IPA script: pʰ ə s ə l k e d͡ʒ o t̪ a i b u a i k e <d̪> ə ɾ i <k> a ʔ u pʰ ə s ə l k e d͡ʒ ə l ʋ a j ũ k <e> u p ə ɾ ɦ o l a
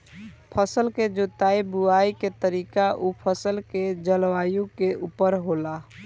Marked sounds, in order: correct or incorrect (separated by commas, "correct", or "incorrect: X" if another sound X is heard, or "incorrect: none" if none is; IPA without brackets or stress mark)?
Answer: incorrect: t̪, correct, correct